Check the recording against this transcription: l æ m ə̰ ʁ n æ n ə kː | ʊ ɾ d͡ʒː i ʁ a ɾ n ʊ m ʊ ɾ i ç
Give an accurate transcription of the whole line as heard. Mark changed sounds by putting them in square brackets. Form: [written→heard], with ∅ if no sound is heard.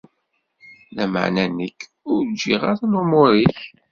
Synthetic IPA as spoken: l æ m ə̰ [ʁ→ʕ] n æ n ə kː | ʊ ɾ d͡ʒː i ʁ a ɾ n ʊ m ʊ ɾ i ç